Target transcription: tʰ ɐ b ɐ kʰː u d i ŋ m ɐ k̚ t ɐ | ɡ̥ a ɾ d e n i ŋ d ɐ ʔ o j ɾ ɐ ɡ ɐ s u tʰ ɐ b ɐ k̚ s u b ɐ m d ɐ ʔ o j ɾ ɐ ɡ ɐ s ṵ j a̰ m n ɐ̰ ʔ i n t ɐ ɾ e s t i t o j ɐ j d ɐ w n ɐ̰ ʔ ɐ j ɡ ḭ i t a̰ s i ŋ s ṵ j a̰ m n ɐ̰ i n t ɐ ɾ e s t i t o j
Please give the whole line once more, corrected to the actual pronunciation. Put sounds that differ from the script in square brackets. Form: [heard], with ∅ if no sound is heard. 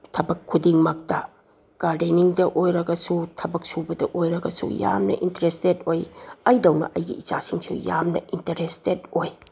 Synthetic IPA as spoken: tʰ ɐ b ɐ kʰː u d i ŋ m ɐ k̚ t ɐ | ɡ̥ a ɾ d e n i ŋ d ɐ ʔ o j ɾ ɐ ɡ ɐ s u tʰ ɐ b ɐ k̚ s u b ɐ [∅] d ɐ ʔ o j ɾ ɐ ɡ ɐ s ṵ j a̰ m n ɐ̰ ʔ i n t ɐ ɾ e s t [e] t o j ɐ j d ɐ w n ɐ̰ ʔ ɐ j ɡ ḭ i [t͡ʃ] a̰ s i ŋ s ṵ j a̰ m n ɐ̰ i n t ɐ ɾ e s t [e] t o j